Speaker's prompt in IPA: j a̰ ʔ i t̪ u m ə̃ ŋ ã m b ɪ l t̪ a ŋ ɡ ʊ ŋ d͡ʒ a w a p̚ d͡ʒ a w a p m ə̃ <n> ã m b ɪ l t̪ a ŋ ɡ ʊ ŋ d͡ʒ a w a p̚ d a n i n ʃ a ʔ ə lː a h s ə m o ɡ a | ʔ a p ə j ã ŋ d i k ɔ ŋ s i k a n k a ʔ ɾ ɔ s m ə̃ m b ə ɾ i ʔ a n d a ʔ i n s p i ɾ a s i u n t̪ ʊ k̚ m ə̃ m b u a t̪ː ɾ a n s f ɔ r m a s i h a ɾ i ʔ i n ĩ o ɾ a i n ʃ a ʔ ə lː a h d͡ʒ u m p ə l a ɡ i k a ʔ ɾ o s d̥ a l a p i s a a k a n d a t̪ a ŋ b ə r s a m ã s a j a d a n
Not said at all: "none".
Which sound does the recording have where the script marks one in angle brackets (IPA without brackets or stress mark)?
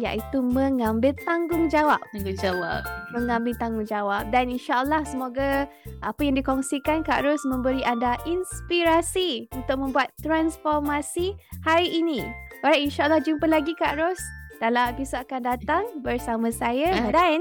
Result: ŋ